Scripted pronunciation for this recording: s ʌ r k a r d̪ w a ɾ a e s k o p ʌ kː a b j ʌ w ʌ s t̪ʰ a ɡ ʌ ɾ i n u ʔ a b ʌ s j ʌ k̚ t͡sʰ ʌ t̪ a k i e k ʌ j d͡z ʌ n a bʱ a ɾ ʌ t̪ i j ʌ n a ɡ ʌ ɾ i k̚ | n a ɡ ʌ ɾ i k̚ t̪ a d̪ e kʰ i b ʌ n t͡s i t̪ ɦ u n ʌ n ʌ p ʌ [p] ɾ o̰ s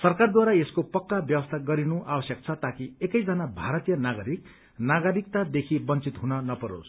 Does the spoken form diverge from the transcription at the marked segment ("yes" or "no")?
yes